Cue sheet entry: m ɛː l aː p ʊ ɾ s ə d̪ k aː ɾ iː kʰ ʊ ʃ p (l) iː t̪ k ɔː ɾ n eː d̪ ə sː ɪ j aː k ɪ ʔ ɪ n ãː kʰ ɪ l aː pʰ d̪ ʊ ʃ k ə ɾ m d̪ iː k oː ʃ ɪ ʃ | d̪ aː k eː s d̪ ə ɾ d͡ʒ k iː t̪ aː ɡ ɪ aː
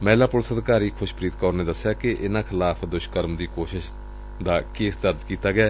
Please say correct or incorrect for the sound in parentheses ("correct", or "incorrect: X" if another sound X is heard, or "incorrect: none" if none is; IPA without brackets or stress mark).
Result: incorrect: ɾ